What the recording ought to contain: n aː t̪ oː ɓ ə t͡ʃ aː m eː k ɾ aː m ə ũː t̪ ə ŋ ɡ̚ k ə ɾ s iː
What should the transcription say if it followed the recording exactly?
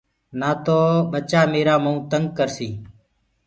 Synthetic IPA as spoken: n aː t̪ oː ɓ ə t͡ʃ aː m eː ɾ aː m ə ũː t̪ ə ŋ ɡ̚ k ə ɾ s iː